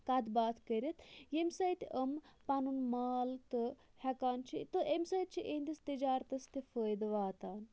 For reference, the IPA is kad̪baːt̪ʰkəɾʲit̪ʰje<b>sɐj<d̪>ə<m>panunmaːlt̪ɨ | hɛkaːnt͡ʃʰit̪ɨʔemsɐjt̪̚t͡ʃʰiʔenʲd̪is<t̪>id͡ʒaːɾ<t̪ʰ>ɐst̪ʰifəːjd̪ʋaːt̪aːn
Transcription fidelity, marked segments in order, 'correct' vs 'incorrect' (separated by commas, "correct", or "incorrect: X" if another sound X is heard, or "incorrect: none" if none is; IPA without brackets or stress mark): incorrect: m, incorrect: t̪, correct, correct, incorrect: t̪